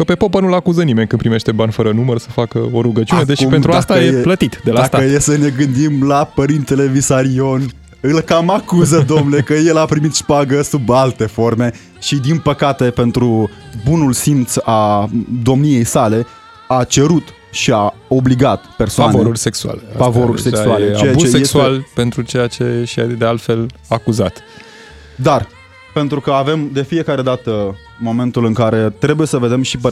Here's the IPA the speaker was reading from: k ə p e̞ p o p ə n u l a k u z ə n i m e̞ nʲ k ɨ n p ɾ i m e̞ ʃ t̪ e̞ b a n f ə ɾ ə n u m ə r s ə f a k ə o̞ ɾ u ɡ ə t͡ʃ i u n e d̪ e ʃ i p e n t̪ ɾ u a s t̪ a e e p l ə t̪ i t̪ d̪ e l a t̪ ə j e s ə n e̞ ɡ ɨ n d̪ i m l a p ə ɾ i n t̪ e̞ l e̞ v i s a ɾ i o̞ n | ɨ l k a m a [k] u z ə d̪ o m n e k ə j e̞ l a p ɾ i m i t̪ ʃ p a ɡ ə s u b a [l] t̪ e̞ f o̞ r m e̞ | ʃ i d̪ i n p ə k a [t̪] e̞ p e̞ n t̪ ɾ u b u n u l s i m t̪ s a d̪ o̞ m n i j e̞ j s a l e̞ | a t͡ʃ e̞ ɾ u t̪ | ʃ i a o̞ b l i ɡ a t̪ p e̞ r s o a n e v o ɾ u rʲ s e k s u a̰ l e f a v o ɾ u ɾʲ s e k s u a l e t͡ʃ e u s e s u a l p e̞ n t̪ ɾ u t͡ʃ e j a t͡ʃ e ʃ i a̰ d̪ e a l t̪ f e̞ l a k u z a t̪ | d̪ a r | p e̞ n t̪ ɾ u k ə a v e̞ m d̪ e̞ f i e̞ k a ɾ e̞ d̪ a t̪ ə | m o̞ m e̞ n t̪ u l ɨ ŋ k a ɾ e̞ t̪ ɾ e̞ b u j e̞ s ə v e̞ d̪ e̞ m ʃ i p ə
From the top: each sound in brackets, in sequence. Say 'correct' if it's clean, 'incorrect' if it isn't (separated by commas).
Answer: correct, correct, correct